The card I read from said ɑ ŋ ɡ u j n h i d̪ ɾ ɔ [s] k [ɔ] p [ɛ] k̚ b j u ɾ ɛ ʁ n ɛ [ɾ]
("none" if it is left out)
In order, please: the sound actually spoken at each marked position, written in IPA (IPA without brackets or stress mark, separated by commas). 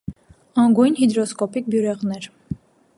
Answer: s, ɔ, i, ɾ